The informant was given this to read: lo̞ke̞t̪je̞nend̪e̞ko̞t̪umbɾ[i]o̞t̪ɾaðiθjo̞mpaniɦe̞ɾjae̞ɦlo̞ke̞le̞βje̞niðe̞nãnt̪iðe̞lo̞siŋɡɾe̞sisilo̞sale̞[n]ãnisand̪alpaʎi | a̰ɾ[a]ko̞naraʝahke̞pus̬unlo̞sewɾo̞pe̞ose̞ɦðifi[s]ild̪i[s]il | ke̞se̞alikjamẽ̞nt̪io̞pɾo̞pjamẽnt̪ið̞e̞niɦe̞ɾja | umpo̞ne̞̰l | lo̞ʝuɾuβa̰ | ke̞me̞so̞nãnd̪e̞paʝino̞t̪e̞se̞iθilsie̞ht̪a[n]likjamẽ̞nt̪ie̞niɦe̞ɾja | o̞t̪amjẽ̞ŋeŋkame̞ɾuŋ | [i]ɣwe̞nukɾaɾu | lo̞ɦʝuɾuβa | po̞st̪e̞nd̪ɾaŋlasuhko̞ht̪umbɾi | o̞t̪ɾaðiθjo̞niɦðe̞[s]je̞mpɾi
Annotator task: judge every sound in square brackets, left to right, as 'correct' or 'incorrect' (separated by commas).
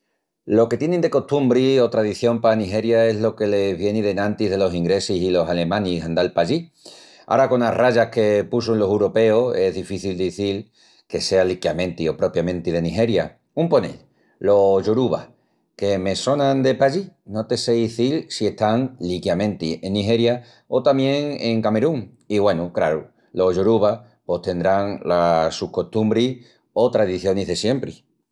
correct, incorrect, correct, incorrect, incorrect, incorrect, correct, correct